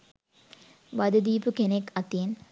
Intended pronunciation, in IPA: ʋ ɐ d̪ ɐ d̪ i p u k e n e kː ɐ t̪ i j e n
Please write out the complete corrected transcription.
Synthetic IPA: ʋ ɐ d̪ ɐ d̪ iː p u k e n e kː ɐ t̪ i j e n